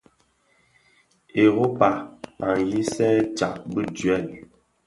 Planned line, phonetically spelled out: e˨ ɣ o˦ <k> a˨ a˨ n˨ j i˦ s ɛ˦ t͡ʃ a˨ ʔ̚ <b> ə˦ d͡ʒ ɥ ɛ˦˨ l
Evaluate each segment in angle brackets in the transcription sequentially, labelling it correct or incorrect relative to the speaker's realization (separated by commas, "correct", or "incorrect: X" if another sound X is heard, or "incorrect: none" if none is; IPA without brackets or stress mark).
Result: incorrect: p, correct